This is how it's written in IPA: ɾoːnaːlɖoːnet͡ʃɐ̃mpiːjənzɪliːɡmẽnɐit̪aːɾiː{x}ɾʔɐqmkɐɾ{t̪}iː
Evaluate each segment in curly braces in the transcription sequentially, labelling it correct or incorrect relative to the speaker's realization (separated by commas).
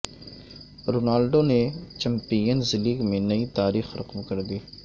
correct, incorrect